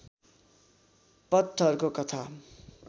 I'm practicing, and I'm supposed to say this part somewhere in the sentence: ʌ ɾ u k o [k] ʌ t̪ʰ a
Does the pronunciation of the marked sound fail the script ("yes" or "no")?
no